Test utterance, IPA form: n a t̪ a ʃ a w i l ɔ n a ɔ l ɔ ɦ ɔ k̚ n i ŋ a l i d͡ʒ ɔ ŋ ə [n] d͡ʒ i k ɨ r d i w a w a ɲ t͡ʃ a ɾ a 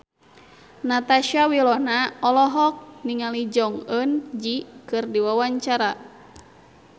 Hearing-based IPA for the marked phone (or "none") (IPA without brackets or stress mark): n